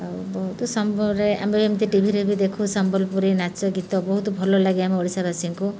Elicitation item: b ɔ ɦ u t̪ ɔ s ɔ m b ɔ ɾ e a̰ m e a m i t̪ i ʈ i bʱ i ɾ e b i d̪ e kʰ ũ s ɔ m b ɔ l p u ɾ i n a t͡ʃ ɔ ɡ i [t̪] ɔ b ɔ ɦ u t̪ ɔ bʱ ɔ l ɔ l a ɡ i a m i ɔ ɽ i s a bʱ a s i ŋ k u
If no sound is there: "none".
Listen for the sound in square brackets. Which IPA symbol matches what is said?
t̪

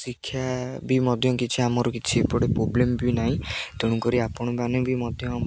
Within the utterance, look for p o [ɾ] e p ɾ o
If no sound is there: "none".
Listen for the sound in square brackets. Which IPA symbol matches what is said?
ɽ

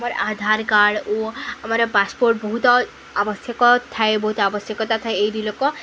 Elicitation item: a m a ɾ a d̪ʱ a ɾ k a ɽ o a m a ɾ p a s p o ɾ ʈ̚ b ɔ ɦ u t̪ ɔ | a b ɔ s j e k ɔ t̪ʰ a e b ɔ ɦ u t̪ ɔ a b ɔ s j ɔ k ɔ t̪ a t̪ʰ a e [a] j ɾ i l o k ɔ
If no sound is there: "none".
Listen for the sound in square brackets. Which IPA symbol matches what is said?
e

